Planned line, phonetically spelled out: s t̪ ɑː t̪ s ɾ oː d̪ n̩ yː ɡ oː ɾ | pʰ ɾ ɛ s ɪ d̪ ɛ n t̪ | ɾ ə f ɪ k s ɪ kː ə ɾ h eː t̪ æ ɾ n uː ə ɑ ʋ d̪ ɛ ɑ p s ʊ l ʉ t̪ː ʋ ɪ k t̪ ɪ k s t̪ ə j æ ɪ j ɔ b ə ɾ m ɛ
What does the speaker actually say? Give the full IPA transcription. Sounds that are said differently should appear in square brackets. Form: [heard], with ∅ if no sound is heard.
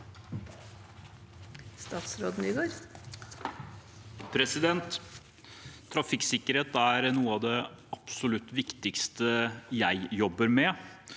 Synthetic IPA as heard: s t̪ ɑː t̪ s ɾ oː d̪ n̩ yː ɡ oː ɾ | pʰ ɾ ɛ s ɪ d̪ ɛ n t̪ | ɾ [ɑ] f ɪ k s ɪ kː ə ɾ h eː t̪ æ ɾ n uː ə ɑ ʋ d̪ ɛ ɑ p s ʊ l ʉ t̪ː ʋ ɪ k t̪ ɪ k s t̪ ə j æ ɪ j ɔ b ə ɾ m ɛ